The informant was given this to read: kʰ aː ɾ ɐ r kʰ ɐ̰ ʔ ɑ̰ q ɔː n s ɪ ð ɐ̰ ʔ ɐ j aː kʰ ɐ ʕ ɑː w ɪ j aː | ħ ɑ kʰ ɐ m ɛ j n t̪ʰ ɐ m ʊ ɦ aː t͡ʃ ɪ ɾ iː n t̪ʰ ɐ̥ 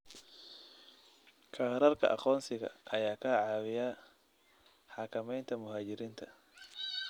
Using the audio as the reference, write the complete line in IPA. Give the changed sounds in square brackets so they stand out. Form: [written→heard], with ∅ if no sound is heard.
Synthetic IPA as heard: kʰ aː ɾ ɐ r kʰ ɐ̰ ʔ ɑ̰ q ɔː n s ɪ [ð→ɣ] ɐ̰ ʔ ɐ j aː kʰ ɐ ʕ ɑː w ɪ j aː | ħ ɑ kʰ ɐ m ɛ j n t̪ʰ ɐ m ʊ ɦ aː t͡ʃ ɪ ɾ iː n t̪ʰ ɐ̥